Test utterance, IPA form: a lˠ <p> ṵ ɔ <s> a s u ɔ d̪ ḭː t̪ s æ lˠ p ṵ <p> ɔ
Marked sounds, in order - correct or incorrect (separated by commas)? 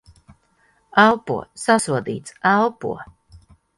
correct, correct, incorrect